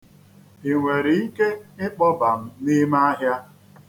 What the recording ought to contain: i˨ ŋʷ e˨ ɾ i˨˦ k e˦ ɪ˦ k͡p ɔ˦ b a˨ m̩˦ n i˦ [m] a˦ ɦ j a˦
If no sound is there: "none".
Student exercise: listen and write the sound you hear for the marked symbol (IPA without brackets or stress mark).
m